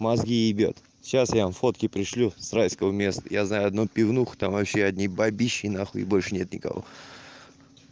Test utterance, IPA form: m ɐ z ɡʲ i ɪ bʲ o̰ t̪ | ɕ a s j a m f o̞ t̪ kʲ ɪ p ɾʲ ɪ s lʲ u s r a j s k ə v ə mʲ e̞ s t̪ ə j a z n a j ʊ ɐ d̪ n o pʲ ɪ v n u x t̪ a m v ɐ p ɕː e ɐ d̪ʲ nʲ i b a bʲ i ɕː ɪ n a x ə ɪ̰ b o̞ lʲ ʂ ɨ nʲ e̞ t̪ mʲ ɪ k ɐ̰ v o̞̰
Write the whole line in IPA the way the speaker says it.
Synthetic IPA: m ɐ z ɡʲ i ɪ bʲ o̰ t̪ | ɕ a s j a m f o̞ t̪ kʲ ɪ p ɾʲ ɪ ʂ lʲ u s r a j s k ə v ə mʲ e̞ s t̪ ə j a z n a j ʊ ɐ d̪ n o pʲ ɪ v n u x t̪ a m v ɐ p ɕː e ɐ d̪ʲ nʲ i b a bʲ i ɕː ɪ n a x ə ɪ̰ b o̞ lʲ ʂ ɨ nʲ e̞ t̪ nʲ ɪ k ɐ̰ v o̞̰